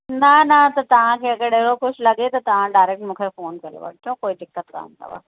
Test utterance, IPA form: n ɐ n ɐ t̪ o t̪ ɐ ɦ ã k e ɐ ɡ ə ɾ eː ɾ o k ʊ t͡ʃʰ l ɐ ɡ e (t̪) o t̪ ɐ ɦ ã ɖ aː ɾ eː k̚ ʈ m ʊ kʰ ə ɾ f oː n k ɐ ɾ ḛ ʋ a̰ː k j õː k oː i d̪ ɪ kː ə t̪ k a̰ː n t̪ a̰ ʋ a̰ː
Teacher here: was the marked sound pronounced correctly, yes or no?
yes